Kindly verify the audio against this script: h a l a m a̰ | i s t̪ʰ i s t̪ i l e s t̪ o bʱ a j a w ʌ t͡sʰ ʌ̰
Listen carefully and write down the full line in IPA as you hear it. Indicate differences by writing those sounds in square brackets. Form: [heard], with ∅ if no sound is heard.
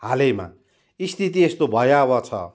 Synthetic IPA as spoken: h a l [e] m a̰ | i s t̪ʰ i [∅] t̪ i [∅] e s t̪ o bʱ [ʌ] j a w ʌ t͡sʰ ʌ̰